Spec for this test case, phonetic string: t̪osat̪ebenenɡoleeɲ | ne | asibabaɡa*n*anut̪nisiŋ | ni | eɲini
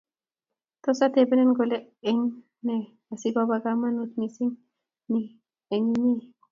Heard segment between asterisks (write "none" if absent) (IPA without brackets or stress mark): m